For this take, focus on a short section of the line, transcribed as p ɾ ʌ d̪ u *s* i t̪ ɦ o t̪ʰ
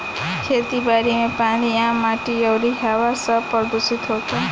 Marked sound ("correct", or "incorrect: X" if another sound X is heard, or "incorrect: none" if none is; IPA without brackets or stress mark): correct